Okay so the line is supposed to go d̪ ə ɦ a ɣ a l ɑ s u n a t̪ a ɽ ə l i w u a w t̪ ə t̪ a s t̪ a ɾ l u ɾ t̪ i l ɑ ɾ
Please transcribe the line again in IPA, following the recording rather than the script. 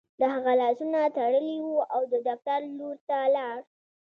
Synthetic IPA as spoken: d̪ ə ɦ a ɣ a l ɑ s u n a t̪ a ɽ ə l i w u a w d̪ ə d̪ a f t̪ a ɾ l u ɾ t̪ a l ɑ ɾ